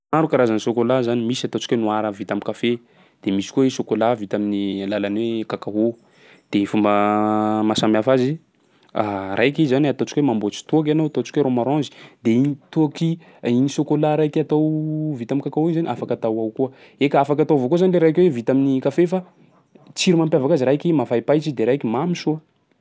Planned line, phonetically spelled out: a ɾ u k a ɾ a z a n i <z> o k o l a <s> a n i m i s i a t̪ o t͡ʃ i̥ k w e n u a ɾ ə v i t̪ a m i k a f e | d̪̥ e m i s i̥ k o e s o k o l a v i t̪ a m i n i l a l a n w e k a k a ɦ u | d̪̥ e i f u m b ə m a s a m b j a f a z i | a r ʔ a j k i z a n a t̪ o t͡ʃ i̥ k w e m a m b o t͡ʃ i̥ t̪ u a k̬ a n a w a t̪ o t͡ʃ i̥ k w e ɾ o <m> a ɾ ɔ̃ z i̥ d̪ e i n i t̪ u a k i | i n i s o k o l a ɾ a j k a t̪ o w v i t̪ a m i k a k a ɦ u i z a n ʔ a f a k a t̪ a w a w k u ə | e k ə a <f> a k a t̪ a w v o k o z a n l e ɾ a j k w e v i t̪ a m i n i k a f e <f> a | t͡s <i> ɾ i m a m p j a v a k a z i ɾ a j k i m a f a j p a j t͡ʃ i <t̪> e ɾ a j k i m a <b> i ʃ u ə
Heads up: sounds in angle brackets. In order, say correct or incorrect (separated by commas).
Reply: incorrect, incorrect, correct, correct, correct, correct, incorrect, incorrect